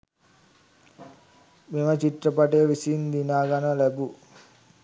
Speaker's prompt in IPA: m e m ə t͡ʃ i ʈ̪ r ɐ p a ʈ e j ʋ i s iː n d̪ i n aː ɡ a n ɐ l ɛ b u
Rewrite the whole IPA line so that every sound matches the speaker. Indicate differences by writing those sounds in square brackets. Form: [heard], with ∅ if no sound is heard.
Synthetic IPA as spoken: m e m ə t͡ʃ i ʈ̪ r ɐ p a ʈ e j ʋ i s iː n d̪ i n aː ɡ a n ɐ l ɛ b u